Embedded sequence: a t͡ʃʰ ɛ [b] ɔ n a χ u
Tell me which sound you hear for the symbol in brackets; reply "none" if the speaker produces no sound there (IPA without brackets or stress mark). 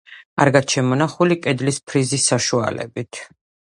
m